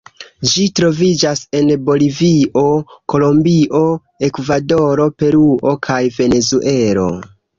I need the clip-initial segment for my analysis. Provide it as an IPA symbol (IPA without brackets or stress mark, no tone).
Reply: d͡ʒ